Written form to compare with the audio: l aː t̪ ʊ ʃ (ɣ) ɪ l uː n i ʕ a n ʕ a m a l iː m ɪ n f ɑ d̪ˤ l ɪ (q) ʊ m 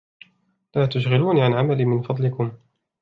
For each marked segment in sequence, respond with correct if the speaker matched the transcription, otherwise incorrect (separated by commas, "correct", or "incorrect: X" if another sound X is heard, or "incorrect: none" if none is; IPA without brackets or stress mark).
correct, incorrect: k